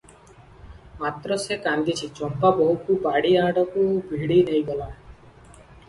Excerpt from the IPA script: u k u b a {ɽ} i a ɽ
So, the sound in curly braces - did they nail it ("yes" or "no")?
yes